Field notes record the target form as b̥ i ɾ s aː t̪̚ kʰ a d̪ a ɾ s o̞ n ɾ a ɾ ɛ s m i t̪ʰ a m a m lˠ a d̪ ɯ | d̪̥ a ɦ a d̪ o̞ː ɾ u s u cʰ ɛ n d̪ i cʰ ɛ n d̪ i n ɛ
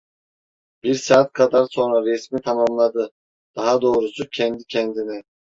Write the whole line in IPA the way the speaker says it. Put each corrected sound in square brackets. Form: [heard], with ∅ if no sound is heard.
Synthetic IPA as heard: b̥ i ɾ s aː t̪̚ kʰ a d̪ a ɾ s o̞ n ɾ a ɾ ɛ s m i t̪ʰ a m a m lˠ a d̪ ɯ | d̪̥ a ɦ a d̪ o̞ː ɾ u s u cʰ ɛ n d̪ i cʰ ɛ n d̪ i n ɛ